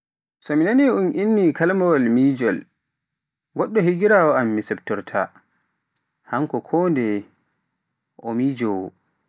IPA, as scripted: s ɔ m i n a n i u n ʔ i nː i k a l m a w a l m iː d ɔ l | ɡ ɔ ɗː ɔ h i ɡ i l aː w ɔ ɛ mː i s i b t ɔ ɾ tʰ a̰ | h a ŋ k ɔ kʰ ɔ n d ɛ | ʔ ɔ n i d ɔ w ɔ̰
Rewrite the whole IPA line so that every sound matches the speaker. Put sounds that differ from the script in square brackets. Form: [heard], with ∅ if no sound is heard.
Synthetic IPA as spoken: s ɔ m i n a n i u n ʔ i nː i k a l m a w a l m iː [d͡ʒ] ɔ l | ɡ ɔ ɗː ɔ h i ɡ i [ɾ] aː w ɔ [a] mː i s [ɛ] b t ɔ ɾ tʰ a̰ | h a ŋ k ɔ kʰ ɔ n d ɛ | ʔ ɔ [m] i [d͡ʒ] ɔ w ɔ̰